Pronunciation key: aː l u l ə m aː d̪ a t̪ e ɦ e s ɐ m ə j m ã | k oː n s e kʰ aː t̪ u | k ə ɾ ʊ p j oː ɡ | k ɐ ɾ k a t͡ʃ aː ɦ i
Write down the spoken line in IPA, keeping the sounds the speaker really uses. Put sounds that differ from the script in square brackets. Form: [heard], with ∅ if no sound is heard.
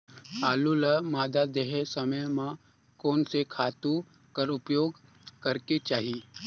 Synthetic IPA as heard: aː l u l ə m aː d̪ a [d̪] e ɦ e s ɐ m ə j m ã | k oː n s e kʰ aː t̪ u | k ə ɾ ʊ p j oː ɡ | k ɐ ɾ k [e] t͡ʃ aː ɦ i